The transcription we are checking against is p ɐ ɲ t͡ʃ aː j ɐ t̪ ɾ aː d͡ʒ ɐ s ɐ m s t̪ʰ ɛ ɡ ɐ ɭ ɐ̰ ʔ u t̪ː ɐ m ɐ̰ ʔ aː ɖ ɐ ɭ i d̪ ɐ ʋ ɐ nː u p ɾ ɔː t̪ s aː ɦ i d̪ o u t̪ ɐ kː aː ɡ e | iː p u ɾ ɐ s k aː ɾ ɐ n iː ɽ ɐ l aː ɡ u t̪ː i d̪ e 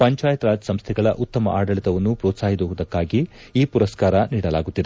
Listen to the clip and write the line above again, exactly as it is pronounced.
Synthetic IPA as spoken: p ɐ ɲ t͡ʃ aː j ɐ t̪ ɾ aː d͡ʒ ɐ s ɐ m s t̪ʰ ɛ ɡ ɐ ɭ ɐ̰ ʔ u t̪ː ɐ m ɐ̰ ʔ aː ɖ ɐ ɭ i t̪ ɐ ʋ ɐ nː u p ɾ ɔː t̪ s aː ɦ i d̪ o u d̪ ɐ kː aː ɡ i | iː p u ɾ ɐ s k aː ɾ ɐ n iː ɽ ɐ l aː ɡ u t̪ː i d̪ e

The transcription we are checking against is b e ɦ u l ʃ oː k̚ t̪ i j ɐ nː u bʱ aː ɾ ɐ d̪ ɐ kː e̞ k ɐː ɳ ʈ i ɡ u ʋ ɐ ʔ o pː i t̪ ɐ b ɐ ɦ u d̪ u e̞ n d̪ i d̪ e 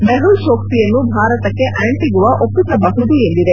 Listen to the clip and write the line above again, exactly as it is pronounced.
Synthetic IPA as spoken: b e ɦ u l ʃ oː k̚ t̪ i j ɐ nː u bʱ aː ɾ ɐ t̪ ɐ kː e̞ ʔ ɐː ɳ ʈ i ɡ u ʋ ɐ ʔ o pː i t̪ ɐ b ɐ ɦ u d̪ u e̞ n d̪ i d̪ e

